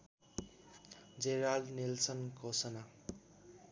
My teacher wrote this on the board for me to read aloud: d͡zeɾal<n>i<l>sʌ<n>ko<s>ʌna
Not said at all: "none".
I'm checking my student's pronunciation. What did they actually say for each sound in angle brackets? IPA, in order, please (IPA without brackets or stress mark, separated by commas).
n, l, n, s